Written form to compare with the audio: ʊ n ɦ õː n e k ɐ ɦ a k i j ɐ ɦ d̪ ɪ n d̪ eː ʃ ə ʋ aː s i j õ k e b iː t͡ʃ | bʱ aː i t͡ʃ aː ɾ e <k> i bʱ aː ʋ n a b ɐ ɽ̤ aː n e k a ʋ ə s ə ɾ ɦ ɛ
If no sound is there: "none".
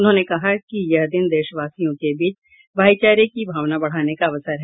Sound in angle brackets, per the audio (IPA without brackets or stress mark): k